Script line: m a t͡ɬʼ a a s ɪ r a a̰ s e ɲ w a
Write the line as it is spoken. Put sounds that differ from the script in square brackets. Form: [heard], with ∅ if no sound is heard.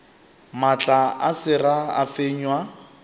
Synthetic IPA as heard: m a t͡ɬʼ a a s ɪ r a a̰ [f] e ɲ w a